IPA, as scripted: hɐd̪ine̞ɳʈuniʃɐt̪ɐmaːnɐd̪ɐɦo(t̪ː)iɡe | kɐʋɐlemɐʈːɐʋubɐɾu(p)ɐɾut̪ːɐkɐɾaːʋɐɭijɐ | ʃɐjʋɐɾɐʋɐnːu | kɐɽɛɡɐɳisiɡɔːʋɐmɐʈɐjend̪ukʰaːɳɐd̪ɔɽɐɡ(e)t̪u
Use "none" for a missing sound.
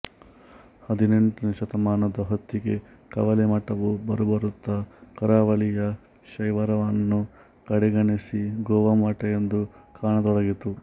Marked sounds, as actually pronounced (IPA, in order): t̪ː, b, i

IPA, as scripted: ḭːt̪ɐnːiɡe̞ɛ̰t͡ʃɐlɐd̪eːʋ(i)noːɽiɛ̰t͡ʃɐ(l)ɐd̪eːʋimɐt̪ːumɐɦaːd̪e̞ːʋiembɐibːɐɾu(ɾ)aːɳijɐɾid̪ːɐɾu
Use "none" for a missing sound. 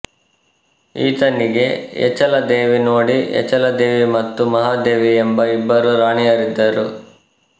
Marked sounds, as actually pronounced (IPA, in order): i, l, ɾ

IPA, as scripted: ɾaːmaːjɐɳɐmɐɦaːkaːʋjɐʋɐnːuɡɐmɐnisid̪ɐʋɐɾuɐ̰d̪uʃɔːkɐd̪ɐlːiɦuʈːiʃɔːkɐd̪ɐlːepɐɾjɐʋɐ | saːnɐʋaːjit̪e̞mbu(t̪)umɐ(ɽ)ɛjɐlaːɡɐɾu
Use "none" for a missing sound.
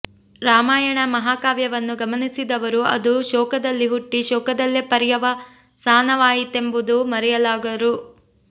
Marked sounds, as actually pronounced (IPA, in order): d̪, ɾ

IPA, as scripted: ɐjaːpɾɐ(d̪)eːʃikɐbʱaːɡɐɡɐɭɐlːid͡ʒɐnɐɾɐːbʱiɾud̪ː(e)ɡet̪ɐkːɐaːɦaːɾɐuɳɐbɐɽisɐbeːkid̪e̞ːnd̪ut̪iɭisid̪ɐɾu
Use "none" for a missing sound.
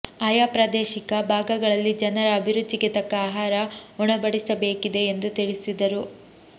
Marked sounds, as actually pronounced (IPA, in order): d̪, i

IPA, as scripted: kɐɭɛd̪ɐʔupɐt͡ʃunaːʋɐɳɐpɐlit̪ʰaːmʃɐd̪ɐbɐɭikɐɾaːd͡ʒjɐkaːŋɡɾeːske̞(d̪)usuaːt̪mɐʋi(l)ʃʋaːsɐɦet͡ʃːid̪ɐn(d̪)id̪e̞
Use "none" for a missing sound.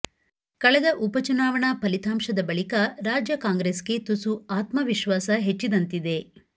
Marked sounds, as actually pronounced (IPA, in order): t̪, none, t̪

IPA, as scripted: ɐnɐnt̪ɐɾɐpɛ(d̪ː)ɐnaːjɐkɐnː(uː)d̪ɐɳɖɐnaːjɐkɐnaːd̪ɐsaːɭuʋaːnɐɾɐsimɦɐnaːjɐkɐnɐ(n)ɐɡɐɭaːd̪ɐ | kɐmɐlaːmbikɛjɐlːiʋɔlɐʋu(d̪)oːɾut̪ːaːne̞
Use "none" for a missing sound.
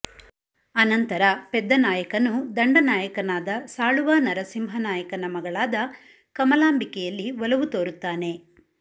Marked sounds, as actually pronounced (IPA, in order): d̪ː, u, m, t̪

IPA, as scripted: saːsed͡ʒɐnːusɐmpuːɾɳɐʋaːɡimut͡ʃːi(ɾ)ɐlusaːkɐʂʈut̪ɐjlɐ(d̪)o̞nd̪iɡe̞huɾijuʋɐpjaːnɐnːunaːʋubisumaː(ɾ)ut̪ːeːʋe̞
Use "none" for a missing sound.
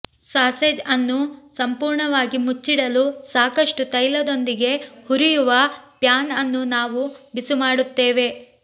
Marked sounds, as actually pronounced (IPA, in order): ɽ, d̪, ɽ

